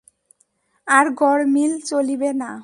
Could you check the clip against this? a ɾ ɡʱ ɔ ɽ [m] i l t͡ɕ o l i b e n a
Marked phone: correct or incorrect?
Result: correct